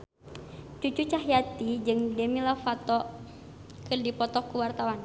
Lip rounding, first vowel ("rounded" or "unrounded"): rounded